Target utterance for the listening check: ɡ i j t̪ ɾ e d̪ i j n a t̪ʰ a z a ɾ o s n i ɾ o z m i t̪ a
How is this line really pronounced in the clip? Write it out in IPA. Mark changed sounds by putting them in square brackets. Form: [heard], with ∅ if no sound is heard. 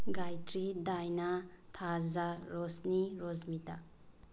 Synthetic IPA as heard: ɡ [a] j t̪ ɾ [i] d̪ [a] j n a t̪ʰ a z a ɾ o s n i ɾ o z m i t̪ a